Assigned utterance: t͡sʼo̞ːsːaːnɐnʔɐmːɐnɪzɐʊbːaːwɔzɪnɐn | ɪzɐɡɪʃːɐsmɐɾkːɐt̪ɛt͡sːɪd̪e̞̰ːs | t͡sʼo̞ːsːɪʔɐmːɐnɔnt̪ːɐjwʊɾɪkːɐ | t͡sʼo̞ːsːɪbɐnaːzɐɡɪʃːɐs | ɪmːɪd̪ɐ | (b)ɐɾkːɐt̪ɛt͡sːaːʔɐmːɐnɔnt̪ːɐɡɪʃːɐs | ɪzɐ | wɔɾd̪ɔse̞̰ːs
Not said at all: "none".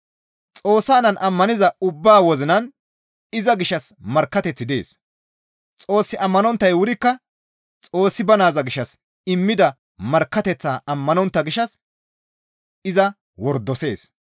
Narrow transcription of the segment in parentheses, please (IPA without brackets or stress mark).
m